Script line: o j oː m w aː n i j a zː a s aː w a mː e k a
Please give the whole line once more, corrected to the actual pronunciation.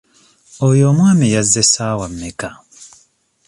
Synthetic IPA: o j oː m w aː m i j a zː e s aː w a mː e k a